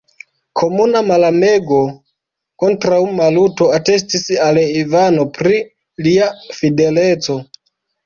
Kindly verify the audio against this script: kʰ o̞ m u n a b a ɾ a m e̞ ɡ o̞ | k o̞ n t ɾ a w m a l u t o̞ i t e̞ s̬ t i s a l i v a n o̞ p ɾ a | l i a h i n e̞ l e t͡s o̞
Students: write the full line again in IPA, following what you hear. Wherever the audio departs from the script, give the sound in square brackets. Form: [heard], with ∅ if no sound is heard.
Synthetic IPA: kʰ o̞ m u n a [m] a [l] a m e̞ ɡ o̞ | k o̞ n t ɾ a w m a l u t o̞ [a] t e̞ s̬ t i s a l i v a n o̞ p ɾ [i] | l i a [f] i [d] e̞ l e t͡s o̞